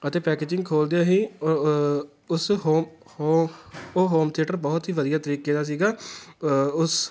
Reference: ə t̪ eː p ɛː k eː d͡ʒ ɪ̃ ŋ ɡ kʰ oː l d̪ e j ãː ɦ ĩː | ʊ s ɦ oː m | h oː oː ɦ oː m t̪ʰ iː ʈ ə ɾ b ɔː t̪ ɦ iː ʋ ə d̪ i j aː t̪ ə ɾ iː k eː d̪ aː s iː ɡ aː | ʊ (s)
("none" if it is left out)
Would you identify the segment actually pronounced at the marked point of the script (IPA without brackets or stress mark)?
s